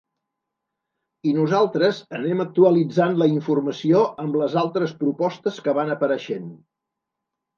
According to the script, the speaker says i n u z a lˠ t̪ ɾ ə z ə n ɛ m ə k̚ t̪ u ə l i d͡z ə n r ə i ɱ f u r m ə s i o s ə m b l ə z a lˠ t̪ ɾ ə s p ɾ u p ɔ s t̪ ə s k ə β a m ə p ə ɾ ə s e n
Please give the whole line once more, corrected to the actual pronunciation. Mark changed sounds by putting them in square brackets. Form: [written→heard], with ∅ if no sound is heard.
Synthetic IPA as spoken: i n u z a lˠ t̪ ɾ ə z ə n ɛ m ə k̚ t̪ u ə l i d͡z [ə→a] n [r→l] ə i ɱ f u r m ə s i o [s→∅] ə m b l ə z a lˠ t̪ ɾ ə s p ɾ u p ɔ s t̪ ə s k ə β a [m→n] ə p ə ɾ ə [s→ʃ] e n